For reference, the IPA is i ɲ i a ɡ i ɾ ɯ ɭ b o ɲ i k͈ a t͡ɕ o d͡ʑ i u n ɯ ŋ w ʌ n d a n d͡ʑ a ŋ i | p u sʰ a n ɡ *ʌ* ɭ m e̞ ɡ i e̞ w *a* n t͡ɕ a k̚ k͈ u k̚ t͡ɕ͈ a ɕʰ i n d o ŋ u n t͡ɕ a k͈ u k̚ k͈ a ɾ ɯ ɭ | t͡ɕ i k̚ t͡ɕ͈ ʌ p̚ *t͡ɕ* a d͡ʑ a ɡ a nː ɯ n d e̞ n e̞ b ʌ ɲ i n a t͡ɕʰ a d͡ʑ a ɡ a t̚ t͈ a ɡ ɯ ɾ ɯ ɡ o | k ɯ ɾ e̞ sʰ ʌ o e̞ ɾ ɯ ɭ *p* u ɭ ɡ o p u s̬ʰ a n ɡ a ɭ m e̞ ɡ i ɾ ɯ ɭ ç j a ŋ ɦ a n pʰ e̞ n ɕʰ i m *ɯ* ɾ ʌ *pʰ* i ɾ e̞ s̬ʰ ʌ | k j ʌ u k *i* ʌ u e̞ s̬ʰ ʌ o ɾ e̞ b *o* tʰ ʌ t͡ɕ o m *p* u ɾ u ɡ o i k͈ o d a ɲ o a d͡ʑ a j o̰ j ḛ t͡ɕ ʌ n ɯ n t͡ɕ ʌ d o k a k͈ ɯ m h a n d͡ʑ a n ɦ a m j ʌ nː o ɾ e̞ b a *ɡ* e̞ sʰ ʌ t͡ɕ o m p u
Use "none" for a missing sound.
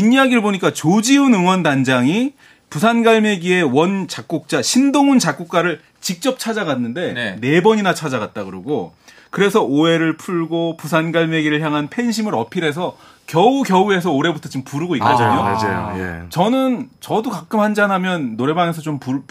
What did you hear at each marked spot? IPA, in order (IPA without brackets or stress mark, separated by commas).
a, ʌ, t͡ɕʰ, pʰ, ɯ, pʰ, j, u, p, ŋ